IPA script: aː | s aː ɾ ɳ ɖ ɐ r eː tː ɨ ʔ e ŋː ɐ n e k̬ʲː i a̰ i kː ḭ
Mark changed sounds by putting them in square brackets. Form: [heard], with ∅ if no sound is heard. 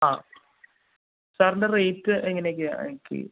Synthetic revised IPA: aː | s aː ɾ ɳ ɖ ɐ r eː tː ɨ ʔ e ŋː ɐ n e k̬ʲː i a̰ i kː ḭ